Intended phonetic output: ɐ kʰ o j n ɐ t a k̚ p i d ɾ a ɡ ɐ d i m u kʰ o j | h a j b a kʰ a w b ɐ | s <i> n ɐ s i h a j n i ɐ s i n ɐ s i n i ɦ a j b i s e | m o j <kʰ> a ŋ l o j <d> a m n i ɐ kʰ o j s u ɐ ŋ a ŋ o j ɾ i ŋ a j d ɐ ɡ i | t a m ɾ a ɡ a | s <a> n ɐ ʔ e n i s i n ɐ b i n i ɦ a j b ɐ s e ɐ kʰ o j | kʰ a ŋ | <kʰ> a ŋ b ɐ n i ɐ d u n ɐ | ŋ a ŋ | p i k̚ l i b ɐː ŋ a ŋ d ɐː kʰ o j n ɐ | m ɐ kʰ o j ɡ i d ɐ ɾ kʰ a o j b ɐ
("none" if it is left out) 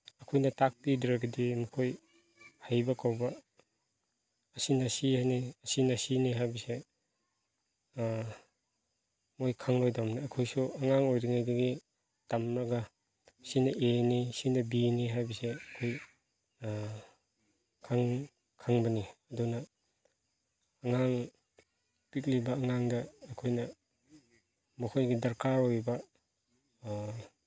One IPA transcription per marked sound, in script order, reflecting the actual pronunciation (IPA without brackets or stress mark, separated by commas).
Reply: i, kʰ, d, i, kʰ